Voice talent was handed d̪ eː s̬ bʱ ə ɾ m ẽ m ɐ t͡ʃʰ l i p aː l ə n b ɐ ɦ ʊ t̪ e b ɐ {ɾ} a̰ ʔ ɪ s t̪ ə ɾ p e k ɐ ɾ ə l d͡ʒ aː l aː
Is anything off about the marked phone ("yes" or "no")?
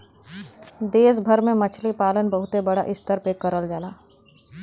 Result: yes